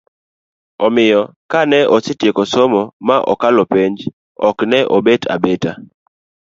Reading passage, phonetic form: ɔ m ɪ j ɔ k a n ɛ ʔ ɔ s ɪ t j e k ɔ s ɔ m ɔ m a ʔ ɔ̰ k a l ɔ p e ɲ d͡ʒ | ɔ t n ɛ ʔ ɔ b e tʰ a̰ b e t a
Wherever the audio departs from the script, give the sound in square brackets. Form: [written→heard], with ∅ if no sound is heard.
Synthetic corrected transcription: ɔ m ɪ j ɔ k a n ɛ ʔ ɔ s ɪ t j e k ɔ s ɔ m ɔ m a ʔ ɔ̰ k a l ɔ p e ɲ d͡ʒ | ɔ [t→k] n ɛ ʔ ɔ b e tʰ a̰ b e t a